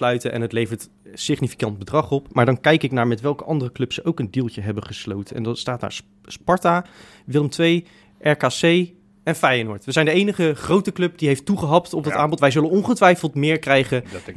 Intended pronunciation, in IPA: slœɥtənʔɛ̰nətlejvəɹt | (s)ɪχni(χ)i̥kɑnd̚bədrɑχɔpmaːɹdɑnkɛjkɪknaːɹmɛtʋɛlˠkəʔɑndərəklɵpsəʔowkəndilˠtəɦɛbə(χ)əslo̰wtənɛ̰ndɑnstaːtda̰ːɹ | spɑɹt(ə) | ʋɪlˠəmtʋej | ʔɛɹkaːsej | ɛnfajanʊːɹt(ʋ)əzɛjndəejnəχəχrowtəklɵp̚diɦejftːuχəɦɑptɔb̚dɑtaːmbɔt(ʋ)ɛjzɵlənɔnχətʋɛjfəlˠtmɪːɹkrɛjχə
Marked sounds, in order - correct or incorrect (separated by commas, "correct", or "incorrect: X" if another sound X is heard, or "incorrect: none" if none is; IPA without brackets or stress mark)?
correct, incorrect: f, correct, incorrect: a, correct, correct